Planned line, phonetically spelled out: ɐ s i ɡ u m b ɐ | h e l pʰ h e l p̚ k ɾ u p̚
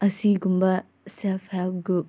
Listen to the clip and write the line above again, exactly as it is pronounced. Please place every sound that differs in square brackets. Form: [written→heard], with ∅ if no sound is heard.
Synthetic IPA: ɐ s i ɡ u m b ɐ | [h→s] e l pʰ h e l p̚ [k→ɡ] ɾ u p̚